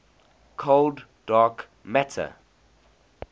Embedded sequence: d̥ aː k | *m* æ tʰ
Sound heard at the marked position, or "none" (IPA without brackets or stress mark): m